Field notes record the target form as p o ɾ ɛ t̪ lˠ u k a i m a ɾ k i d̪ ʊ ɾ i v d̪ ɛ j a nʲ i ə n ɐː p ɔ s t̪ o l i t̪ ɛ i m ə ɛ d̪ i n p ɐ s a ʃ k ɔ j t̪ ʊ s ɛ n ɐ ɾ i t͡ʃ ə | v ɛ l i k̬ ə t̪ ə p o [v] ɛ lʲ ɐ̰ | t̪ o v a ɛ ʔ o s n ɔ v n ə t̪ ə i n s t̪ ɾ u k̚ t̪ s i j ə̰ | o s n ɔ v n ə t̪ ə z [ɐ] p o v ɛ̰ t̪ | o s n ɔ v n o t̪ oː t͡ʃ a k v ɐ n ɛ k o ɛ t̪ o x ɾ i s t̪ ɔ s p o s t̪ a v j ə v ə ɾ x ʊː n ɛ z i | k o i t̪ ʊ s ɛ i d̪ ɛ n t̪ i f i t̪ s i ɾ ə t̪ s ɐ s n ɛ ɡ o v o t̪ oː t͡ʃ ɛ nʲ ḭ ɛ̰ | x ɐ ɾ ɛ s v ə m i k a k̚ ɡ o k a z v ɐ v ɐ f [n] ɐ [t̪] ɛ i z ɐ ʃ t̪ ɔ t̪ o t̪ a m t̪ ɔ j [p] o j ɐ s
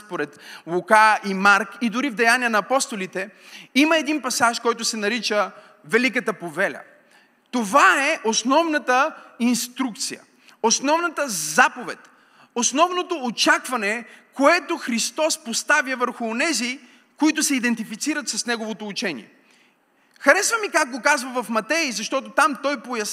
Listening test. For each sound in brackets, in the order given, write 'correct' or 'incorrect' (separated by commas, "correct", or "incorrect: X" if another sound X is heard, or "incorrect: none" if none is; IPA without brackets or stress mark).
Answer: correct, incorrect: a, incorrect: m, correct, correct